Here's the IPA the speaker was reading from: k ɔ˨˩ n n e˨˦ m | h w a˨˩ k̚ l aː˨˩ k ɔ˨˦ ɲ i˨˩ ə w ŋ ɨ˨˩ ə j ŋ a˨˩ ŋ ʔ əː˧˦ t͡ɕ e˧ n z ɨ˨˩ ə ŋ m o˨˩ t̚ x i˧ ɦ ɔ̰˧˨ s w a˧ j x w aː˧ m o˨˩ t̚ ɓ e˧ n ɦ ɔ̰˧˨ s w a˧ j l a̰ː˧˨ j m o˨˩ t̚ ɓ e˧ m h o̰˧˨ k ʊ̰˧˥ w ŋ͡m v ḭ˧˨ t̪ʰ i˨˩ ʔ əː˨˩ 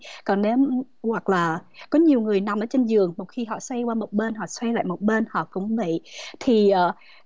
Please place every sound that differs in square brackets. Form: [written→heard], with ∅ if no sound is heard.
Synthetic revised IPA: k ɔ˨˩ n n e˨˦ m | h w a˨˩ k̚ l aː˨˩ k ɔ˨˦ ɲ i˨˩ ə w ŋ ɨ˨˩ ə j [ŋ→n] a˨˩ [ŋ→m] ʔ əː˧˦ t͡ɕ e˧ n z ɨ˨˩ ə ŋ m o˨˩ t̚ x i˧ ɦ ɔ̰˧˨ s w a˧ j [x→k] w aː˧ m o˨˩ t̚ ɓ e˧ n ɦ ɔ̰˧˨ s w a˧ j l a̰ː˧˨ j m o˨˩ t̚ ɓ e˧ [m→n] h [o̰˧˨→ɔ̰˧˨] k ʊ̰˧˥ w ŋ͡m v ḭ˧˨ t̪ʰ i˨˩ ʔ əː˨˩